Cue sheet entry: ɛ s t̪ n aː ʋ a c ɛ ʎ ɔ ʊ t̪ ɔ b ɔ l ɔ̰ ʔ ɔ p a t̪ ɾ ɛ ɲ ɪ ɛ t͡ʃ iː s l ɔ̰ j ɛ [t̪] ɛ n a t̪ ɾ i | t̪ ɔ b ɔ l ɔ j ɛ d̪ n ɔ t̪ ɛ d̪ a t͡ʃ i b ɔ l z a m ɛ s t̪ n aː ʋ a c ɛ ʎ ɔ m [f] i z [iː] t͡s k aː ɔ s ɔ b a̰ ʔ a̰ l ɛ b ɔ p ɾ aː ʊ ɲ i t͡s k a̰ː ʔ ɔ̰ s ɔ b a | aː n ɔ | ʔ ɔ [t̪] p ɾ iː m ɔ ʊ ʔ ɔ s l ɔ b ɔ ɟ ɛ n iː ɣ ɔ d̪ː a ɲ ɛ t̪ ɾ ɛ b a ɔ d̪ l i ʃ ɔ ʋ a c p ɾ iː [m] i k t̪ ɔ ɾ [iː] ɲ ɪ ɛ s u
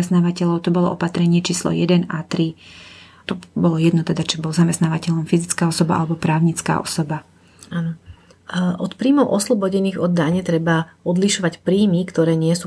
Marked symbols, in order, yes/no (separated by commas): no, yes, no, yes, yes, no